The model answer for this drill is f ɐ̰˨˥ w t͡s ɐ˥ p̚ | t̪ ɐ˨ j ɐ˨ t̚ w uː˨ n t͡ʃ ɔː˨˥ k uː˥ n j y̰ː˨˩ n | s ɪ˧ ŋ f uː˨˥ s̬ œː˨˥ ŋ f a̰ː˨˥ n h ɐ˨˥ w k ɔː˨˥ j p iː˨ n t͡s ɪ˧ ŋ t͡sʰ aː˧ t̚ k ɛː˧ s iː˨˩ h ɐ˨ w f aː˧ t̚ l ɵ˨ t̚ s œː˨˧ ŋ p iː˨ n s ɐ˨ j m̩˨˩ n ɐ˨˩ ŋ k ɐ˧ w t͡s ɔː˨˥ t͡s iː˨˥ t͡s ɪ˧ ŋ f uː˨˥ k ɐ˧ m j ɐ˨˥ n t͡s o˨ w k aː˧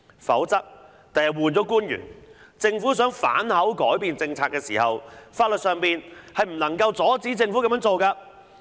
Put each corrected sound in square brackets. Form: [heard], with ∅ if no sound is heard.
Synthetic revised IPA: f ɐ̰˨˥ w t͡s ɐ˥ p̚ | t̪ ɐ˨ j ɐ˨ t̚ w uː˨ n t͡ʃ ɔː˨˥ k uː˥ n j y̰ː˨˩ n | [t͡s] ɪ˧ ŋ f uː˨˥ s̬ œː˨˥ ŋ f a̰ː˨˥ n h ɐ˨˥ w k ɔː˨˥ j p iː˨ n t͡s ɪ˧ ŋ t͡sʰ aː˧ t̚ k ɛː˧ s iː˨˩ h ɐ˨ w f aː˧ t̚ l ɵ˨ t̚ s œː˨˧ ŋ p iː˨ n [h] ɐ˨ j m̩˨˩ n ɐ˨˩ ŋ k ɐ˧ w t͡s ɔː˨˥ t͡s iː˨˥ t͡s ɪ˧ ŋ f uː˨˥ k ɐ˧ m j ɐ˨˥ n t͡s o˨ w k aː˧